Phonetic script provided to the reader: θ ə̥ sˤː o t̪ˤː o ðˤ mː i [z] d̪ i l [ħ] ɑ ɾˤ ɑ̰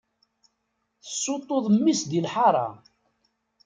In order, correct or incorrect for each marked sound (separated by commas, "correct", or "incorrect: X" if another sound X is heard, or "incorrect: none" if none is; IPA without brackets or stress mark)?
incorrect: s, correct